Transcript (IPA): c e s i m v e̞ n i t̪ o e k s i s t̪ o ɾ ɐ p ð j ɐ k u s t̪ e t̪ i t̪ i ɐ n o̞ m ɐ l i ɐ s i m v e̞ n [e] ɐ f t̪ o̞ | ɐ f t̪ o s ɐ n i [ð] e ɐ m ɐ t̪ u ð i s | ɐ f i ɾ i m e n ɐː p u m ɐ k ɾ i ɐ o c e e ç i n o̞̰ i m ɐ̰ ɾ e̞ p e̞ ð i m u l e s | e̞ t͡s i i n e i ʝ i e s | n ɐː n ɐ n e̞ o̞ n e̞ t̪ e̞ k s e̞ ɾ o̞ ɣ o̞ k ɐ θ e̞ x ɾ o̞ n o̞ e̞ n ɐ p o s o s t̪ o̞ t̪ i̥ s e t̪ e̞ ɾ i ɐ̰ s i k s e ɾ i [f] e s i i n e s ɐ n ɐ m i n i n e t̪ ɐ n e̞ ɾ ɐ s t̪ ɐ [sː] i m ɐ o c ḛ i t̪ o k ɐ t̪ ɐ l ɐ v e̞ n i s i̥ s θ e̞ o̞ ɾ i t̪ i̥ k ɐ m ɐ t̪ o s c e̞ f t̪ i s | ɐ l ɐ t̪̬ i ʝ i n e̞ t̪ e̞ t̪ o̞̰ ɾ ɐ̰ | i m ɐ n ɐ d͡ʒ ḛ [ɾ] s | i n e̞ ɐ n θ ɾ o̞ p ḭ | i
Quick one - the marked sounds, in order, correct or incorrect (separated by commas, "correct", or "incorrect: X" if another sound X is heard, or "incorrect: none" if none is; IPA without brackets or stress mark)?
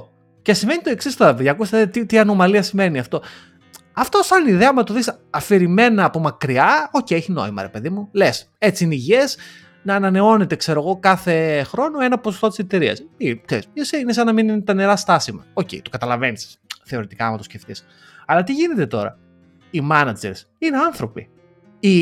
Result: incorrect: i, correct, incorrect: s, incorrect: s, correct